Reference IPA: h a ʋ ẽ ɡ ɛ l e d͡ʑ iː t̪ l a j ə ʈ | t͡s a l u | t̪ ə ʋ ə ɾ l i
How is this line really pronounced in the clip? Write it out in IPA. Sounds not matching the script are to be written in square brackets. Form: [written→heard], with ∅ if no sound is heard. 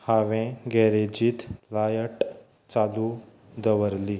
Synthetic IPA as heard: h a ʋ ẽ ɡ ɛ [l→ɾ] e d͡ʑ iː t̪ l a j ə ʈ | t͡s a l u | [t̪→d̪] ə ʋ ə ɾ l i

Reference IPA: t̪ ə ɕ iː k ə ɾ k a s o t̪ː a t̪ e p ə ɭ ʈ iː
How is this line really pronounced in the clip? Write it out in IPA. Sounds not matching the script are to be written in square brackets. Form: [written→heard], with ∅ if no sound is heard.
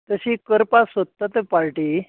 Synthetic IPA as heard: t̪ ə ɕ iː k ə ɾ [k→p] a s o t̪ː a t̪ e p [ə→a] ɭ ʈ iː

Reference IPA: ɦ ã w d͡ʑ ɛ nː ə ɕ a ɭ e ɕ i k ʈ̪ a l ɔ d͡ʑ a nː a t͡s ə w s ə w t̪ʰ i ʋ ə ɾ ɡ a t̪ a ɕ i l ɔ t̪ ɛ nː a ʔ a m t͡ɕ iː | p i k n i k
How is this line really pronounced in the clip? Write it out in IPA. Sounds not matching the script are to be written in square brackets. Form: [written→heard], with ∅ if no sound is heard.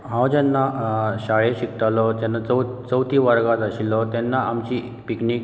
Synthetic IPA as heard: ɦ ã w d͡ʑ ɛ nː [ə→a] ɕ a ɭ e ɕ i k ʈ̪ a l ɔ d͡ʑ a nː a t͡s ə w [s→t͡s] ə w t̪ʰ i ʋ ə ɾ ɡ a t̪ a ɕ i l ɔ t̪ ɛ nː a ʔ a m t͡ɕ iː | p i k n i k

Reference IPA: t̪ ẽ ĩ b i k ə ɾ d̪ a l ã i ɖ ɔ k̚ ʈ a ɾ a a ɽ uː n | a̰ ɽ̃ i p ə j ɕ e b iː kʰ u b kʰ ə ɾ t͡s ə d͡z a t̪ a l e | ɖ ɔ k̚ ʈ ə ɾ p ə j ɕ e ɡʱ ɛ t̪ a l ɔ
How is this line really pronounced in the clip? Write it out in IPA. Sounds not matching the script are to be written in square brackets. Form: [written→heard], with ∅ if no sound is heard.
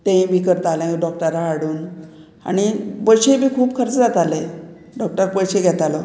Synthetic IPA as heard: t̪ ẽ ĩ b i k ə ɾ [d̪→t̪] a l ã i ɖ ɔ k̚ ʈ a ɾ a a ɽ uː n | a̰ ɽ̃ i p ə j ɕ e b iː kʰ [u→uː] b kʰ ə ɾ t͡s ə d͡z a t̪ a l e | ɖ ɔ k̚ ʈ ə ɾ p ə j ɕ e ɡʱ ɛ t̪ a l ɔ

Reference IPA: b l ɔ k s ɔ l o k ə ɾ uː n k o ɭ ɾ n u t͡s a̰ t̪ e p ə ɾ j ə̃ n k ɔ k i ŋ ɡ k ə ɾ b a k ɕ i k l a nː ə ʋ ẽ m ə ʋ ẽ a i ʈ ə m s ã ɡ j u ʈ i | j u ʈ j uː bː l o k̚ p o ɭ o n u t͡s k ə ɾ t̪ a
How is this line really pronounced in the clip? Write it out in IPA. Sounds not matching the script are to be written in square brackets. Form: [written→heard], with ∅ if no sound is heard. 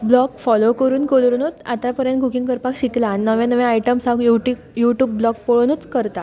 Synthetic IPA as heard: b l ɔ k [s→f] ɔ l o k ə ɾ uː n k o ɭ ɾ n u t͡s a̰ t̪ [e→a] p ə ɾ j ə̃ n k [ɔ→u] k i ŋ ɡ k ə ɾ [b→p] a k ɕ i k l a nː ə ʋ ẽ [m→n] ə ʋ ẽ a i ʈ ə m s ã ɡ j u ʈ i | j u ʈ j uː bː l [o→ɔ] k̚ p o ɭ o n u t͡s k ə ɾ t̪ a

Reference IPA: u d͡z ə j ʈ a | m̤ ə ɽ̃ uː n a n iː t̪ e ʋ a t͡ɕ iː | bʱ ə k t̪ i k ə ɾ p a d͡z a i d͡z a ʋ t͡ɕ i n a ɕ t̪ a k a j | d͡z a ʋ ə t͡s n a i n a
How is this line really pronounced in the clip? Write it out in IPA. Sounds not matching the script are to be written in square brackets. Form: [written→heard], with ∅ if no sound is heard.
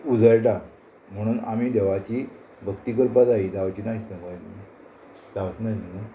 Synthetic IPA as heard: u d͡z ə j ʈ a | m̤ ə ɽ̃ uː n a [n→m] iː [t̪→d̪] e ʋ a t͡ɕ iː | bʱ ə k t̪ i k ə ɾ p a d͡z a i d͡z a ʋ t͡ɕ i n a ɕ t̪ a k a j | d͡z a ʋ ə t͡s n a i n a

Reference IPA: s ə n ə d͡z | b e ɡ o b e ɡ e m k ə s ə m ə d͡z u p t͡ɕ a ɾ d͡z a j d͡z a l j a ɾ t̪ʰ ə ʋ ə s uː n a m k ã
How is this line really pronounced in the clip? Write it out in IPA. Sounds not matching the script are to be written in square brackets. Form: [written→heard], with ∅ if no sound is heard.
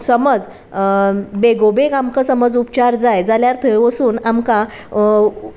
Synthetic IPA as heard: s ə [n→m] ə d͡z | b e ɡ o b e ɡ [e→a] m k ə s ə m ə d͡z u p t͡ɕ a ɾ d͡z a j d͡z a l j a ɾ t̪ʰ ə ʋ ə s uː n a m k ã

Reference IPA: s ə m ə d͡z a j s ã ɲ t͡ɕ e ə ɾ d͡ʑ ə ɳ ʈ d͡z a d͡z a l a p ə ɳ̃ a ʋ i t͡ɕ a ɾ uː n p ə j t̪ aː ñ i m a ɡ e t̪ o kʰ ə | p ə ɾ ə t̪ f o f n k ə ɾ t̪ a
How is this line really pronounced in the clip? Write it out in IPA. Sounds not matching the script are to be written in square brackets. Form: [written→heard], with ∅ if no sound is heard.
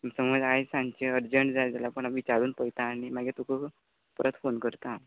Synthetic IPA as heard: s ə m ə d͡z a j s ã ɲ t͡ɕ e ə ɾ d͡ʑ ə ɳ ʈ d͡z a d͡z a l a p ə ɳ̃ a ʋ i t͡ɕ a ɾ uː n p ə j t̪ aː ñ i m a ɡ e t̪ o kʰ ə | p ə ɾ ə t̪ f o [f→∅] n k ə ɾ t̪ a

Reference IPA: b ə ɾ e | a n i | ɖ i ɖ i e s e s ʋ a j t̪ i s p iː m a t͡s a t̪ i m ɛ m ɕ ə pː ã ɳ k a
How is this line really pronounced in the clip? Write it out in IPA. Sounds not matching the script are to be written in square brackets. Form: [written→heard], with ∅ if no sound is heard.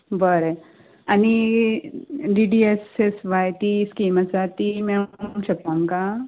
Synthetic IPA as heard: b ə ɾ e | a n i | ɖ i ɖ i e s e s ʋ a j t̪ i s [p→k] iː m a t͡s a t̪ i m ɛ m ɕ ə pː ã [ɳ→ŋ] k a

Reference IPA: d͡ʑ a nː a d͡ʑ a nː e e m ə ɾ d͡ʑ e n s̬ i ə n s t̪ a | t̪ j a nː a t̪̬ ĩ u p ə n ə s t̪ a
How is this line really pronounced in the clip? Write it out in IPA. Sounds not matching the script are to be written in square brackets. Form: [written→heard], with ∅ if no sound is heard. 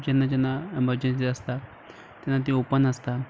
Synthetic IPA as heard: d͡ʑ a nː a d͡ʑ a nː [e→a] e m ə ɾ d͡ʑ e n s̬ i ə [n→∅] s t̪ a | t̪ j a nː a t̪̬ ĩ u p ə n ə s t̪ a

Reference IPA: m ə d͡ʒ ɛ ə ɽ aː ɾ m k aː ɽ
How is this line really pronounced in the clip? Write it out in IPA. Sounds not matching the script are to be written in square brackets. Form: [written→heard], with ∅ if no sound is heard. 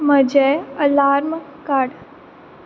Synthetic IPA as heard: m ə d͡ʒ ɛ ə [ɽ→l] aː ɾ m k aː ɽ

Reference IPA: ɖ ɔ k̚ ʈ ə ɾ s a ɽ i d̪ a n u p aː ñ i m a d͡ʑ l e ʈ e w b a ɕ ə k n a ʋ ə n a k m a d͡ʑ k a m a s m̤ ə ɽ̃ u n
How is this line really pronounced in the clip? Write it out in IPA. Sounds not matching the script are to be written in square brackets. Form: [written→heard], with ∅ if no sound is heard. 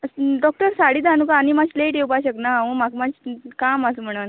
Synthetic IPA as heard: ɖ ɔ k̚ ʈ ə ɾ s a ɽ i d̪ a n u [p→k] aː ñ i m a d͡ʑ l e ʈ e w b a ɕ ə k n a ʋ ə [n→m] a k m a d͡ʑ k a m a s m̤ ə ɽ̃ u n

